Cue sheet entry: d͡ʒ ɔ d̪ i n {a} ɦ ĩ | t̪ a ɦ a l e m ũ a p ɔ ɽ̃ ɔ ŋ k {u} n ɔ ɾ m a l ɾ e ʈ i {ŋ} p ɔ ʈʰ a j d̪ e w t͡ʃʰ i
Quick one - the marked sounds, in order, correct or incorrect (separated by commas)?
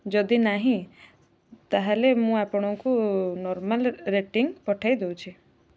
correct, correct, correct